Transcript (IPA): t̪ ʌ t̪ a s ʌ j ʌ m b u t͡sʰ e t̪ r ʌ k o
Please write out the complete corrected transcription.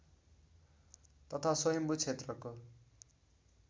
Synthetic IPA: t̪ ʌ t̪ʰ a s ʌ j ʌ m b u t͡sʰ e t̪ r ʌ k o